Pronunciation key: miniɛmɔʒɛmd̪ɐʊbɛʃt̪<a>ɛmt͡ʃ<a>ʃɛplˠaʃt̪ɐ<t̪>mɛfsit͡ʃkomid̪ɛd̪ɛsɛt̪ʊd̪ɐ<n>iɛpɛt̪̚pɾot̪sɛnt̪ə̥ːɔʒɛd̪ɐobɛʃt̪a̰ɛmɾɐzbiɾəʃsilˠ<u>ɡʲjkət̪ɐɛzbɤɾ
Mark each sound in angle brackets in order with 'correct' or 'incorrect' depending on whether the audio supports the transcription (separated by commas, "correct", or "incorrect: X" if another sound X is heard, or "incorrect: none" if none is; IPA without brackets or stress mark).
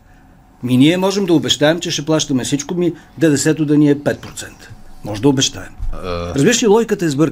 correct, incorrect: ɛ, incorrect: none, correct, incorrect: ɔ